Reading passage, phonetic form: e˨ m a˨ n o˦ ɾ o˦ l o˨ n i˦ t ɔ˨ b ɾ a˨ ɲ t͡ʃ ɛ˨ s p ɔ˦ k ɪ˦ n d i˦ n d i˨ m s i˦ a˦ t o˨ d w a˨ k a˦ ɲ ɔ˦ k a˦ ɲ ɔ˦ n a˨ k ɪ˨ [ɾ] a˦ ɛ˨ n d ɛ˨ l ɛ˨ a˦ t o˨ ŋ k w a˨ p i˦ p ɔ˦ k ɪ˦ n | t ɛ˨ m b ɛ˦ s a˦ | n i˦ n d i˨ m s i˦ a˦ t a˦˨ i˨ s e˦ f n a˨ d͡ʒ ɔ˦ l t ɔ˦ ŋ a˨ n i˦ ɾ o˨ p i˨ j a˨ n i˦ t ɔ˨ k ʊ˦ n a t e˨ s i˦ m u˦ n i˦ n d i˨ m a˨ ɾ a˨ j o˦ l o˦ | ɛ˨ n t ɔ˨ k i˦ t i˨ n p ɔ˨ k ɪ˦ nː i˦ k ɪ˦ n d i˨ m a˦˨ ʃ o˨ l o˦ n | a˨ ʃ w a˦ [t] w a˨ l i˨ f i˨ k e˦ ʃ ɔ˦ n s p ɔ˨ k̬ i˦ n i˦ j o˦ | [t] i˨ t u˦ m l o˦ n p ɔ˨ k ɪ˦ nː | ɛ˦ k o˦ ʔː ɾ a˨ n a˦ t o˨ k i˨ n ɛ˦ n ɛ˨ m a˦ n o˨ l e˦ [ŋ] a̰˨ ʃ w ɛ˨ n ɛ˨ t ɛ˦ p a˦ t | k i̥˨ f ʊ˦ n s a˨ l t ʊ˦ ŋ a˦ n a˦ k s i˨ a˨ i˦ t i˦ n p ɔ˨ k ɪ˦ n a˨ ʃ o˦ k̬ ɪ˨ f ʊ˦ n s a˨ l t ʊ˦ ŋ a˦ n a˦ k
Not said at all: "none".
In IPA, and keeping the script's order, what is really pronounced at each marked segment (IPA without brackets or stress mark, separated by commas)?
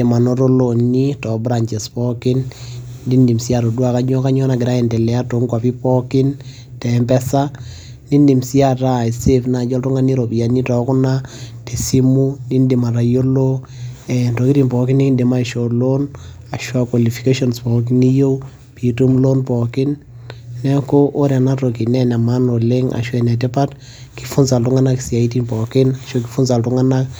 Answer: ɾ, k, p, ŋ